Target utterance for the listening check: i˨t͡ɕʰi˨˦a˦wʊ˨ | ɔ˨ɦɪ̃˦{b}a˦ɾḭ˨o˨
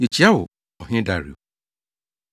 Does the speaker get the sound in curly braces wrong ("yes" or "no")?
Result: yes